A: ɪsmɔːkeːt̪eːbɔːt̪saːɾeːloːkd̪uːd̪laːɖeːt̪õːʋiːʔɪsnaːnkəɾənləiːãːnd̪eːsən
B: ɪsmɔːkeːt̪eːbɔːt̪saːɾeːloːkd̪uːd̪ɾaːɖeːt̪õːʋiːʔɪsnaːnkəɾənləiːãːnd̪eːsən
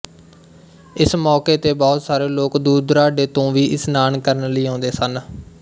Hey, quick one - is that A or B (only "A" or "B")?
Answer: B